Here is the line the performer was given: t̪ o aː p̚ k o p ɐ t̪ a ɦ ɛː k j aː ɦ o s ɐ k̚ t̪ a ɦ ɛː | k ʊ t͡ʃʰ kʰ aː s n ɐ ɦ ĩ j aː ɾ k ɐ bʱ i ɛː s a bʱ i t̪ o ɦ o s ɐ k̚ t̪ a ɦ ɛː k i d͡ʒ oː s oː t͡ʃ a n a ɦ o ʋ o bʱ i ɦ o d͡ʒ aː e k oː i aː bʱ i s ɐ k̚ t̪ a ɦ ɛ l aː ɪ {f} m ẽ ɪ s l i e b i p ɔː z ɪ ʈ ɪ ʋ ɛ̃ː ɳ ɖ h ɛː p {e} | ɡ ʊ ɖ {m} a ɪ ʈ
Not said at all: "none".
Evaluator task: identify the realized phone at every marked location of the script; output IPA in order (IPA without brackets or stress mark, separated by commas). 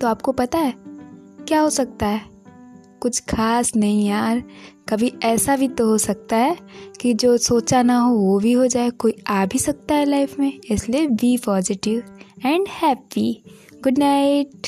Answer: f, i, n